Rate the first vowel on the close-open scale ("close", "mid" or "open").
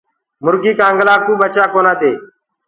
close